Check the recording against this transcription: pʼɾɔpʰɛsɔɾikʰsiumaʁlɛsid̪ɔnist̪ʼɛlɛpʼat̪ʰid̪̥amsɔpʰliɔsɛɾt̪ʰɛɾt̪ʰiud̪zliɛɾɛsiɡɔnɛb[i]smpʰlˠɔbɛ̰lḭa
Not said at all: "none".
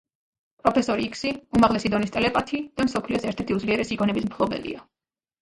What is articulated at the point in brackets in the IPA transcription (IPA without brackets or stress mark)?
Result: i